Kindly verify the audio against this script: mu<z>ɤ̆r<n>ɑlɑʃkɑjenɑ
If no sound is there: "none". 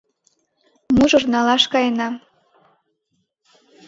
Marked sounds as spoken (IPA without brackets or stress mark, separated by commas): ʒ, n